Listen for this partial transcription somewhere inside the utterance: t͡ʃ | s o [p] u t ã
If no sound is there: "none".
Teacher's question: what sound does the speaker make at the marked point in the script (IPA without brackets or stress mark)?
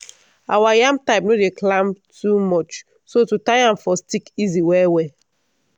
t